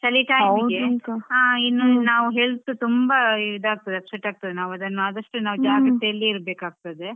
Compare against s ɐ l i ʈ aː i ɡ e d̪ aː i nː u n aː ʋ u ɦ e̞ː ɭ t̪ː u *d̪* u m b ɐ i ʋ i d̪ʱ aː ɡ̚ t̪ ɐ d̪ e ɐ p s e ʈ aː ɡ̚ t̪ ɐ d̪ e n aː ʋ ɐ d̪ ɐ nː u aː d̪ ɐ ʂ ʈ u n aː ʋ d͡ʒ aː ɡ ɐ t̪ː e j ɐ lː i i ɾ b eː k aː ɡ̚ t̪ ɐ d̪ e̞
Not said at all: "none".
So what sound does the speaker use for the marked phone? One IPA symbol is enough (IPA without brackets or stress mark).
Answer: t̪